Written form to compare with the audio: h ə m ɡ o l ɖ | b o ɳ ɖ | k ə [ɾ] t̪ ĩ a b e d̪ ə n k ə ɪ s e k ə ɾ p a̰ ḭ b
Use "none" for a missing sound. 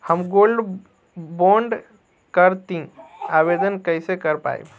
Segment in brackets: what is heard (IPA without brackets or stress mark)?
ɾ